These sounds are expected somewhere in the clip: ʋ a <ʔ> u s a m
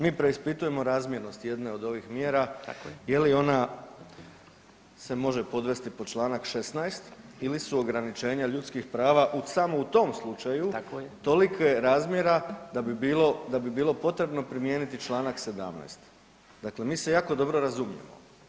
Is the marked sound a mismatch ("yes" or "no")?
no